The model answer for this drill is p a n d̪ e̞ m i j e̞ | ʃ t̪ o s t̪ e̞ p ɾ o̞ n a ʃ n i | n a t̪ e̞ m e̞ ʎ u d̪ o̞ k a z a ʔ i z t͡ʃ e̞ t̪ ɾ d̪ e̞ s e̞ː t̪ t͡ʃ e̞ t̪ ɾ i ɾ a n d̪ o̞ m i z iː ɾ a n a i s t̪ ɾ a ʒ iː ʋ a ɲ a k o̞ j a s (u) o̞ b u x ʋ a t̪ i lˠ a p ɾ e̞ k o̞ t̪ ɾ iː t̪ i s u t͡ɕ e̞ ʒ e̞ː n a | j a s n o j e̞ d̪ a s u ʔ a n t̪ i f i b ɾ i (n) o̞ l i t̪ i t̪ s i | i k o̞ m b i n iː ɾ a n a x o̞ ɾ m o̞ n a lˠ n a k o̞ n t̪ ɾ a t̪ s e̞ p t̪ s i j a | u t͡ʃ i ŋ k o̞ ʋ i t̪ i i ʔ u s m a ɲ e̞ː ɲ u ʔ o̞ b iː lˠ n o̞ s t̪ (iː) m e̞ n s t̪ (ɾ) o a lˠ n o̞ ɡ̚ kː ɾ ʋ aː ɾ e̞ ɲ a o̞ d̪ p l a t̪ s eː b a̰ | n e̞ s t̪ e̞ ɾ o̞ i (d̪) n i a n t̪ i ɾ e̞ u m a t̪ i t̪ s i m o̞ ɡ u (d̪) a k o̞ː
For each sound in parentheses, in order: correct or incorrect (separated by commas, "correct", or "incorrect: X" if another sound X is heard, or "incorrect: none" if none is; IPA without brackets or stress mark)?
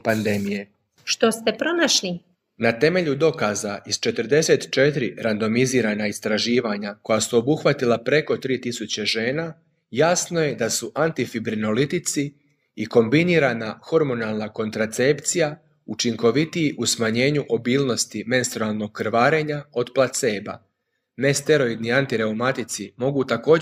correct, correct, incorrect: i, correct, correct, incorrect: t̪